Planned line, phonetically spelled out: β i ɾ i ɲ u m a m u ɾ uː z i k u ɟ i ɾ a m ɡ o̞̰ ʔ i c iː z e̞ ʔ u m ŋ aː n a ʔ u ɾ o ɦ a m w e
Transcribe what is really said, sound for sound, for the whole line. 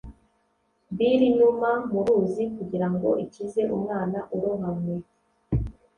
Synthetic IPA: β i ɾ i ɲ u m a m u ɾ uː z i k u ɟ i ɾ a ŋ ɡ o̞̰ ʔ i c i z e̞ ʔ u m ŋ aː n a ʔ u ɾ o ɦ a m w e